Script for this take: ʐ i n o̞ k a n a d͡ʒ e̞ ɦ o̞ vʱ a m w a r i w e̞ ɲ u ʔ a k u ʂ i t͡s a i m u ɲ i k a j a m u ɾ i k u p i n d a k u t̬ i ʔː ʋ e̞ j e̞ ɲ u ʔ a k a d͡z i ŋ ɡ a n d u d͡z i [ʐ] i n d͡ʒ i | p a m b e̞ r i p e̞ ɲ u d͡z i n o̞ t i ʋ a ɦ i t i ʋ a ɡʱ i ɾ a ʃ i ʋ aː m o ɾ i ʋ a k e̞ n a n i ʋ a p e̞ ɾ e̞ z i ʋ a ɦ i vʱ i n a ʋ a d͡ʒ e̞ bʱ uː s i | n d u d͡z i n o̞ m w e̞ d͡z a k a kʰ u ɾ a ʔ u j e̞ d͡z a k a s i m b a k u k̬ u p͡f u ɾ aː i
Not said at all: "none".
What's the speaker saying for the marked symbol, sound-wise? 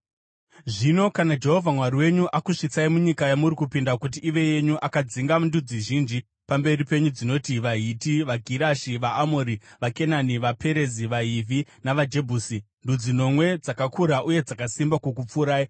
ʒ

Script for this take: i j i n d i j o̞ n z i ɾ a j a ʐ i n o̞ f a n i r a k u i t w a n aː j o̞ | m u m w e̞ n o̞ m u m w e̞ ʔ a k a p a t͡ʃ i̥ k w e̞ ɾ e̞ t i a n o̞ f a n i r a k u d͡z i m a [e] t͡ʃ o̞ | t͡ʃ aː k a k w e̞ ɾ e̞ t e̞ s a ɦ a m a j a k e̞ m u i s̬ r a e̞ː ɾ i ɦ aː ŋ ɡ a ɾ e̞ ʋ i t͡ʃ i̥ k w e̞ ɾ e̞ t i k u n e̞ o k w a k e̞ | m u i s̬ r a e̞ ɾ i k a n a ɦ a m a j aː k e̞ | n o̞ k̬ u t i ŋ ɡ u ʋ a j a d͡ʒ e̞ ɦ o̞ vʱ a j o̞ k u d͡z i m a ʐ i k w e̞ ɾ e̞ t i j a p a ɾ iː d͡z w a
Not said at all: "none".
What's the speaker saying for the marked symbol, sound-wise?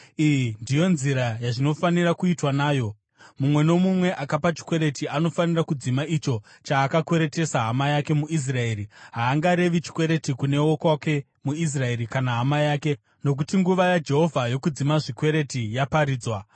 i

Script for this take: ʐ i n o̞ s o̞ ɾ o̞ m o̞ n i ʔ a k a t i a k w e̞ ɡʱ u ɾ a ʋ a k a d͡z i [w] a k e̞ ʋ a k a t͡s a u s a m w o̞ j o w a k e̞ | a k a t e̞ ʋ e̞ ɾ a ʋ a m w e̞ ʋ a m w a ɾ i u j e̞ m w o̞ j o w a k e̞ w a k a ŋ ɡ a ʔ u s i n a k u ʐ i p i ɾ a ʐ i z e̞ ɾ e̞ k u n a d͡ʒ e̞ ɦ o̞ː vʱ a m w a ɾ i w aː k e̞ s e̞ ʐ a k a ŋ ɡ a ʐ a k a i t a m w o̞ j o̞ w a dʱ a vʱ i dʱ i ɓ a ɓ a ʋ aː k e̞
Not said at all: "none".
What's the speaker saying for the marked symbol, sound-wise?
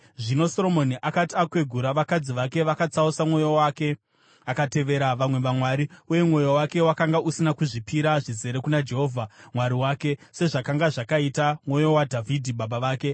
ʋ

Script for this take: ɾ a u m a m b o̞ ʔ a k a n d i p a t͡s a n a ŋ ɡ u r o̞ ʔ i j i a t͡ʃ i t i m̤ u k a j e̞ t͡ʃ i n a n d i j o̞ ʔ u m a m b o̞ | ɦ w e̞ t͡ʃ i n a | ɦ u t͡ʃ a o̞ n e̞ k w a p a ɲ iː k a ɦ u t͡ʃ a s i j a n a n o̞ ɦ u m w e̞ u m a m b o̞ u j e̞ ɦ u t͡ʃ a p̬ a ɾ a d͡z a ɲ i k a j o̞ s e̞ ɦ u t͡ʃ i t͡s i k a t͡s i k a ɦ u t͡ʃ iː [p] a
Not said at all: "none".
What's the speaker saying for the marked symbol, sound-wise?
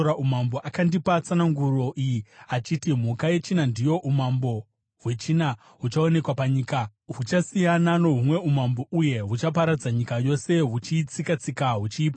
p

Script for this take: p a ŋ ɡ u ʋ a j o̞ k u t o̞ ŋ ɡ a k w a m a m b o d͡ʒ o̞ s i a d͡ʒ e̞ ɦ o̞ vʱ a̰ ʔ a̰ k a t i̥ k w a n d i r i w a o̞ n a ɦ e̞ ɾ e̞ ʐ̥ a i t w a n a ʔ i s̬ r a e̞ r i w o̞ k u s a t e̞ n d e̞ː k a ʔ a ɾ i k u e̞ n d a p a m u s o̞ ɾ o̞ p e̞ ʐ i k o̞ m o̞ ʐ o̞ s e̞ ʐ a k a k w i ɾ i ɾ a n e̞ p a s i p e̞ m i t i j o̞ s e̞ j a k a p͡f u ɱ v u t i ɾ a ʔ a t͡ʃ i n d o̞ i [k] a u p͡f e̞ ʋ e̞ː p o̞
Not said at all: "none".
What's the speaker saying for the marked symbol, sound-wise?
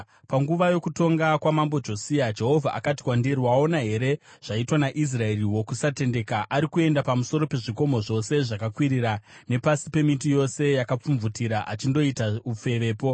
t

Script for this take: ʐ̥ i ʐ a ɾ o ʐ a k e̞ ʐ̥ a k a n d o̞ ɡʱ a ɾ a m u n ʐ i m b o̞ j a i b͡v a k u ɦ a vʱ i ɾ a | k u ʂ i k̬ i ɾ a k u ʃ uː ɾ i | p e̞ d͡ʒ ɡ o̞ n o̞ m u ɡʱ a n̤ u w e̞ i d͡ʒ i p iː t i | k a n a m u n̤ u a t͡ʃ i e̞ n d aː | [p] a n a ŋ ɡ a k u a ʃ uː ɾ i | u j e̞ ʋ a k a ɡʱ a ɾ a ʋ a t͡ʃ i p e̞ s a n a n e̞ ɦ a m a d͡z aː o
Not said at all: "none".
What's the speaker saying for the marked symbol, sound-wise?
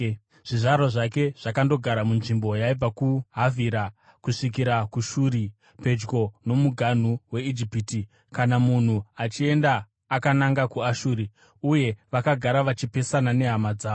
k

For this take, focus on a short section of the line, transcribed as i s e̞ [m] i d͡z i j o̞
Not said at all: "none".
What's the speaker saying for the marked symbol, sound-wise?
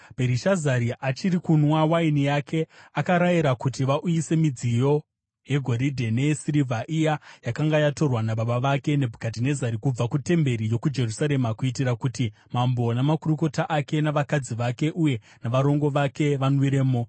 m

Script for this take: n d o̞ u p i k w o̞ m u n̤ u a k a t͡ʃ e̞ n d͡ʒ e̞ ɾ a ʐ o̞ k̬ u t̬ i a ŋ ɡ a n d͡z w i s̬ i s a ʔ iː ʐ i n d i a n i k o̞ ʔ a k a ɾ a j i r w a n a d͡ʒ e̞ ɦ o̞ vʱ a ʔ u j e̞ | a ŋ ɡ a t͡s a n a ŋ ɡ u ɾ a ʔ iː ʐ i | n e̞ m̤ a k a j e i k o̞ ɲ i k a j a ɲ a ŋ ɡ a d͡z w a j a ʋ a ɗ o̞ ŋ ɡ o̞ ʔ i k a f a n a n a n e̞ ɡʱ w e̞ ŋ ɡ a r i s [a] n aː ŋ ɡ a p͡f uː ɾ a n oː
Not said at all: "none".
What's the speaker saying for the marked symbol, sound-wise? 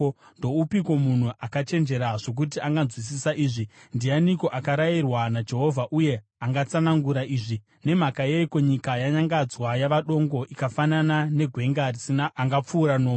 i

